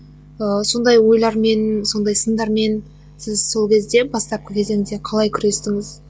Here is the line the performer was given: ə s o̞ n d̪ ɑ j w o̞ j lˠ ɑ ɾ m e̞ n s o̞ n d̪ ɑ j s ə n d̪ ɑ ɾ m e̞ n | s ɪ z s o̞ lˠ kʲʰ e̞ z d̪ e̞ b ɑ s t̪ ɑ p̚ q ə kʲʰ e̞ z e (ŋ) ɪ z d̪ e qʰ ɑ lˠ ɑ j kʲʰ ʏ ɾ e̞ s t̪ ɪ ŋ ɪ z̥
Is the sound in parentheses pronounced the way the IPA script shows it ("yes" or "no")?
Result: yes